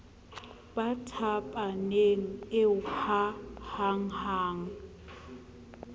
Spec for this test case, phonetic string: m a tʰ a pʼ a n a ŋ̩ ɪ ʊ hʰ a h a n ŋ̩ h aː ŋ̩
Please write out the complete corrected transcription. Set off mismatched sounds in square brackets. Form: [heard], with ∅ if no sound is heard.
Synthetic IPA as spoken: [b] a tʰ a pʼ a n [e] ŋ̩ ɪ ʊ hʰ a h a [∅] ŋ̩ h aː ŋ̩

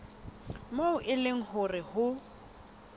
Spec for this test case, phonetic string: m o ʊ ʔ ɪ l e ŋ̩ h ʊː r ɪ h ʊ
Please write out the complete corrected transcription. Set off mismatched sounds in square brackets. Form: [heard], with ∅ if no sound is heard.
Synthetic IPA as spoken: m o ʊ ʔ ɪ l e ŋ̩ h [ʊ] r ɪ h ʊ

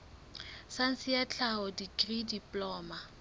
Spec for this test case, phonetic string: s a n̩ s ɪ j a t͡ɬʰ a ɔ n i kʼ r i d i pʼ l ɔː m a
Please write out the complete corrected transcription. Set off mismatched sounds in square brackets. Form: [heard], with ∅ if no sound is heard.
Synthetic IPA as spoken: s a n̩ s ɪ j a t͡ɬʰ a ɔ [d] i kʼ r i d i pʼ l ɔː m a

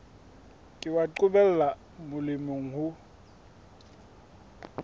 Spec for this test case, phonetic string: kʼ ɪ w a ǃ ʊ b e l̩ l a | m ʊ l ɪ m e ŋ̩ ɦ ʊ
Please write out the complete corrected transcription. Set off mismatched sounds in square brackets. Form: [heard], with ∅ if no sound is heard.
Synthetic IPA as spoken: kʼ ɪ w a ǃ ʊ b [ɛ] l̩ l a | m ʊ l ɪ m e ŋ̩ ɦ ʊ

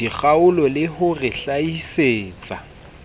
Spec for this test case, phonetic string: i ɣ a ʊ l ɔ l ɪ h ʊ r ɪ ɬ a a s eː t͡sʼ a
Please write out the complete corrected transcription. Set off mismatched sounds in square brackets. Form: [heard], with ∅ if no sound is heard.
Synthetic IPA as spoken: i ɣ a ʊ l ɔ l ɪ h ʊ r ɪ ɬ a [i] s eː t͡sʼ a

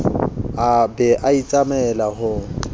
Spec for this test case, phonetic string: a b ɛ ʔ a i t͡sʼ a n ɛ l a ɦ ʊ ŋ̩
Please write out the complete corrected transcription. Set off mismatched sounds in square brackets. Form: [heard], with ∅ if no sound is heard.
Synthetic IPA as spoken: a b ɛ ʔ a i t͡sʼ a [m] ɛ l a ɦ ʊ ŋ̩

